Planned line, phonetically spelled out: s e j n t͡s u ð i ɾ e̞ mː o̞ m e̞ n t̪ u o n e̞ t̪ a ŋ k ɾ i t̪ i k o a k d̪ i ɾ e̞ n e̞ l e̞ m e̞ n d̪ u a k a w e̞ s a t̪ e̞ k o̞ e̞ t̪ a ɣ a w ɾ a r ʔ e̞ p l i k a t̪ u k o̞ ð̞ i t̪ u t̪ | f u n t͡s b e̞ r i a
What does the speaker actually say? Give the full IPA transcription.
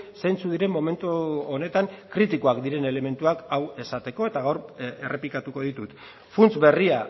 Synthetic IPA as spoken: s e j n t͡s u ð i ɾ e̞ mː o̞ m e̞ n t̪ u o n e̞ t̪ a ŋ k ɾ i t̪ i k o a k d̪ i ɾ e̞ n e̞ l e̞ m e̞ n t̪ u a k a w e̞ s a t̪ e̞ k o̞ e̞ t̪ a ɣ a w ɾ e r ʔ e̞ p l i k a t̪ u k o̞ ð̞ i t̪ u t̪ | f u n t͡s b e̞ r i a

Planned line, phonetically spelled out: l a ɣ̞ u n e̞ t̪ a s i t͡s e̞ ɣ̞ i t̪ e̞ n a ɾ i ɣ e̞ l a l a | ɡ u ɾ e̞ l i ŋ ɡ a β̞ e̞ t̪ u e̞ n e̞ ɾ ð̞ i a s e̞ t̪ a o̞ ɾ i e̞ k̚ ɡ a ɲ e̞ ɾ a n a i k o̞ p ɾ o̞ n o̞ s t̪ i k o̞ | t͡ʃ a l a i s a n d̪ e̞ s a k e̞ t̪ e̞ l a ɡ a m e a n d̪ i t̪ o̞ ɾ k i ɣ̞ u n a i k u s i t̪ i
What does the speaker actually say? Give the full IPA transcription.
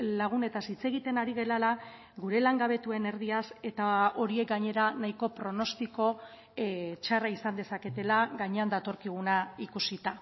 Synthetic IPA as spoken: l a ɣ̞ u n e̞ t̪ a s i t͡s e̞ ɣ̞ i t̪ e̞ n a ɾ i ɣ e̞ l a l a | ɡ u ɾ e̞ l a ŋ ɡ a β̞ e̞ t̪ u e̞ n e̞ ɾ ð̞ i a s e̞ t̪ a o̞ ɾ i e̞ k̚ ɡ a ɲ e̞ ɾ a n a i k o̞ p ɾ o̞ n o̞ s t̪ i k o̞ | t͡ʃ a r a i s a n d̪ e̞ s a k e̞ t̪ e̞ l a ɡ a ɲ e a n d̪ a t̪ o̞ ɾ k i ɣ̞ u n a i k u s i t̪ a

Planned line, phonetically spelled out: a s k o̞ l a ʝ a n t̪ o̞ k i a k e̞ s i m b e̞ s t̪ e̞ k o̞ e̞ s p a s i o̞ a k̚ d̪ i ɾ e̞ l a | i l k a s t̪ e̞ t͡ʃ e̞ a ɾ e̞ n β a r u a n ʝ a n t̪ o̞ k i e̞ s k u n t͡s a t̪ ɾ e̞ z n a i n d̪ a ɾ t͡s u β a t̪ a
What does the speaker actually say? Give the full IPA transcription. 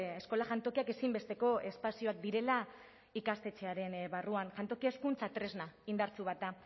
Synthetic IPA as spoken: e s k o̞ l a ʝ a n t̪ o̞ k i a k e̞ s i m b e̞ s t̪ e̞ k o̞ e̞ s p a s i o̞ a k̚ d̪ i ɾ e̞ l a | i k a s t̪ e̞ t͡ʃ e̞ a ɾ e̞ n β a r u a n ʝ a n t̪ o̞ k i e̞ s k u n t͡s a t̪ ɾ e̞ z n a i n d̪ a ɾ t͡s u β a t̪ a

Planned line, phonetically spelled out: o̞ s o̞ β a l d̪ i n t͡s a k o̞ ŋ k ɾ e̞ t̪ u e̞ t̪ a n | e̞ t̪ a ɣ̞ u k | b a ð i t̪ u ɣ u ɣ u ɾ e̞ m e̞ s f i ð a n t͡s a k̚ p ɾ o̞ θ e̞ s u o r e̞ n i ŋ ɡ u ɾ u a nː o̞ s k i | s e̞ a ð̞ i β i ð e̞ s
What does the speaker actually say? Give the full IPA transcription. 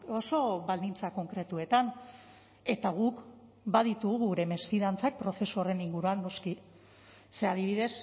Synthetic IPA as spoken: o̞ s o̞ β a l d̪ i n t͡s a k o̞ ŋ k ɾ e̞ t̪ u e̞ t̪ a n | e̞ t̪ a ɣ̞ u k | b a ð i t̪ u ɣ u ɣ u ɾ e̞ m e̞ s f i ð a n t͡s a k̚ p ɾ o̞ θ e̞ s u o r e̞ n i ŋ ɡ u ɾ u a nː o̞ s k i | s e̞ a ð̞ i β i ð e̞ s

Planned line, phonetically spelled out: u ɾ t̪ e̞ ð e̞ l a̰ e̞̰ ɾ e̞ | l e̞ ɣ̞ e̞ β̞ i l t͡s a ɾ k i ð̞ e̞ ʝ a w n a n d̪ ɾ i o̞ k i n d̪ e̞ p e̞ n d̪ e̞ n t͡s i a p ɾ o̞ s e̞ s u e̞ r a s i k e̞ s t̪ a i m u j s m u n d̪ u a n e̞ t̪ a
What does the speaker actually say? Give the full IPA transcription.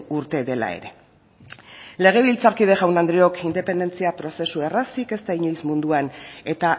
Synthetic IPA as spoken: u ɾ t̪ e̞ ð e̞ l a̰ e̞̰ ɾ e̞ | l e̞ ɣ̞ e̞ β̞ i l t͡s a ɾ k i ð̞ e̞ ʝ a w n a n d̪ ɾ i o̞ k i n d̪ e̞ p e̞ n d̪ e̞ n t͡s i a p ɾ o̞ s e̞ s u e̞ r a s i k e̞ s t̪ a i ɲ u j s m u n d̪ u a n e̞ t̪ a

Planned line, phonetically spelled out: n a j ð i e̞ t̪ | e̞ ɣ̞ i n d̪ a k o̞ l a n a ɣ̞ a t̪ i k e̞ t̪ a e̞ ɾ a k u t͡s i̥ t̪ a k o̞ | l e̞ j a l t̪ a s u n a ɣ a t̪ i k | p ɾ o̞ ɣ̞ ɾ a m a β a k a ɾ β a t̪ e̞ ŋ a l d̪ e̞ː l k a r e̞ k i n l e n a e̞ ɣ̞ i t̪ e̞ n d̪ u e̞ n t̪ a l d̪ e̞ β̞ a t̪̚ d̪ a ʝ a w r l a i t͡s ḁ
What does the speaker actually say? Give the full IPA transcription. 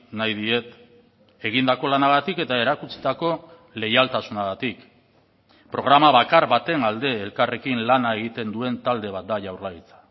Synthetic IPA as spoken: n a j ð i e̞ t̪ | e̞ ɣ̞ i n d̪ a k o̞ l a n a ɣ̞ a t̪ i k e̞ t̪ a e̞ ɾ a k u t͡s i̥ t̪ a k o̞ | l e̞ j a l t̪ a s u n a ɣ a t̪ i k | p ɾ o̞ ɣ̞ ɾ a m a β a k a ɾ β a t̪ e̞ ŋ a l d̪ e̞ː l k a r e̞ k i n l a n a e̞ ɣ̞ i t̪ e̞ n d̪ u e̞ n t̪ a l d̪ e̞ β̞ a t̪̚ d̪ a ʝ a w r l a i t͡s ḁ

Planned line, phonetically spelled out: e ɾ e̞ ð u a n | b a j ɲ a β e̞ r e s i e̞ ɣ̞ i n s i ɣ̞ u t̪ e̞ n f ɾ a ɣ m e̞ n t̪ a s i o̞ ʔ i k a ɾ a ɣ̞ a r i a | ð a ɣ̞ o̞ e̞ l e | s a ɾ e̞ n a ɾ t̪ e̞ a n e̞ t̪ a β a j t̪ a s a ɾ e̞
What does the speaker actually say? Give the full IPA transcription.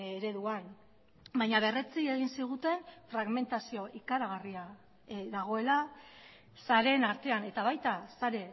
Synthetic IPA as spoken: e ɾ e̞ ð u a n | b a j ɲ a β e̞ r e t͡s i e̞ ɣ̞ i n s i ɣ̞ u t̪ e̞ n f ɾ a ɣ m e̞ n t̪ a s i o̞ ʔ i k a ɾ a ɣ̞ a r i a | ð a ɣ̞ o̞ e̞ l a | s a ɾ e̞ n a ɾ t̪ e̞ a n e̞ t̪ a β a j t̪ a s a ɾ e̞

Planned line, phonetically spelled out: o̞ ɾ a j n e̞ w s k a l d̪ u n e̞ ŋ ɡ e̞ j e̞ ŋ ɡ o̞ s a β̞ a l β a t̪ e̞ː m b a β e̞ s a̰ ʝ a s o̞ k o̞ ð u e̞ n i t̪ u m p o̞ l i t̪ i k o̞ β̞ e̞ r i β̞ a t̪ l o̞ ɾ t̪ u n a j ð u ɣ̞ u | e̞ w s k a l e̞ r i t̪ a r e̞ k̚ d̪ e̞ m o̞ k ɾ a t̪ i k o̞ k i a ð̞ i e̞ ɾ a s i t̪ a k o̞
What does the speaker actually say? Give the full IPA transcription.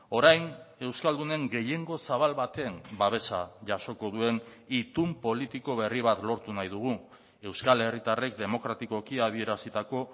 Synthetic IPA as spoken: o̞ ɾ a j n e̞ w s k a l d̪ u n e̞ ŋ ɡ e̞ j e̞ ŋ ɡ o̞ s a β̞ a l β a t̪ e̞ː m b a β e̞ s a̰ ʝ a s o̞ k o̞ ð u e̞ n i t̪ u m p o̞ l i t̪ i k o̞ β̞ e̞ r i β̞ a t̪ l o̞ ɾ t̪ u n a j ð u ɣ̞ u | e̞ w s k a l e̞ r i t̪ a r e̞ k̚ d̪ e̞ m o̞ k ɾ a t̪ i k o̞ k i a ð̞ i e̞ ɾ a s i t̪ a k o̞

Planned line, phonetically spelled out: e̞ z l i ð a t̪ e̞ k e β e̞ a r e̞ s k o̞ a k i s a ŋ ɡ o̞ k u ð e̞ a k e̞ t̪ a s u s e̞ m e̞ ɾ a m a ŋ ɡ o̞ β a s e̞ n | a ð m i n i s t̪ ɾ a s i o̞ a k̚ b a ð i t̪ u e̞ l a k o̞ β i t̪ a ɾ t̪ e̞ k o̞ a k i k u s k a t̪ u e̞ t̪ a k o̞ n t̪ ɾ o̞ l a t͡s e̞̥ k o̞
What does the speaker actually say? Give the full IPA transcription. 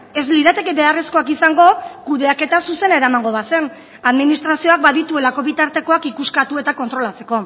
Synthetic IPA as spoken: e̞ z l i ð a t̪ e̞ k e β e̞ a r e̞ s k o̞ a k i s a ŋ ɡ o̞ k u ð e̞ a k e̞ t̪ a s u s e̞ n e̞ ɾ a m a ŋ ɡ o̞ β a s e̞ n | a ð m i n i s t̪ ɾ a s i o̞ a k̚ b a ð i t̪ u e̞ l a k o̞ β i t̪ a ɾ t̪ e̞ k o̞ a k i k u s k a t̪ u e̞ t̪ a k o̞ n t̪ ɾ o̞ l a t͡s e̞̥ k o̞

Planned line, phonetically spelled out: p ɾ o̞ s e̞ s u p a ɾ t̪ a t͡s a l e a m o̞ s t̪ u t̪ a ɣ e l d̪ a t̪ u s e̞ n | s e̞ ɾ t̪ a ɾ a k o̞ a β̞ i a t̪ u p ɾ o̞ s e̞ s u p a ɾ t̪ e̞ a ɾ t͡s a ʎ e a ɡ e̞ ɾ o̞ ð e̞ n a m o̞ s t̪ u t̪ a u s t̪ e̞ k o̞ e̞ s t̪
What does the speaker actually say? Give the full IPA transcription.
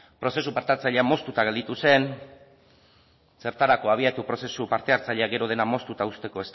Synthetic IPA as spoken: p ɾ o̞ s e̞ s u p a ɾ t̪ a t͡s a ʎ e a m o̞ s t̪ u t̪ a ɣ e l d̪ i t̪ u s e̞ n | s e̞ ɾ t̪ a ɾ a k o̞ a β̞ i a t̪ u p ɾ o̞ s e̞ s u p a ɾ t̪ e̞ a ɾ t͡s a ʎ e a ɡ e̞ ɾ o̞ ð e̞ n a m o̞ s t̪ u t̪ a u s t̪ e̞ k o̞ e̞ s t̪

